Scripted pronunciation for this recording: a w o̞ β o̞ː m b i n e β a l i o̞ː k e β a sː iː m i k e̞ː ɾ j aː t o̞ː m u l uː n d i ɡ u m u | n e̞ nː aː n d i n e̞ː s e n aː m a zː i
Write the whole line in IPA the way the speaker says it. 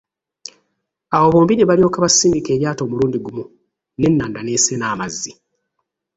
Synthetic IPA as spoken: a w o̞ β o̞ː m b i n e β a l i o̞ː k a β a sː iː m i k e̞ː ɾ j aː t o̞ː m u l uː n d i ɡ u m u | n e̞ nː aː n d a n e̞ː s e n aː m a zː i